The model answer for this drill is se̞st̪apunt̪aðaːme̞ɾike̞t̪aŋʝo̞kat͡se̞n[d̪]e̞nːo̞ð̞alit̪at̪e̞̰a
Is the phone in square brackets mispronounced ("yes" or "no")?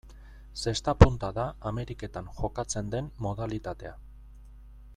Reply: no